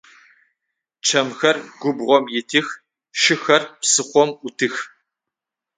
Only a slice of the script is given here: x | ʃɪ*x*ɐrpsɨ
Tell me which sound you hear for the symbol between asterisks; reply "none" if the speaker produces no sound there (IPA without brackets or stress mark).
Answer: x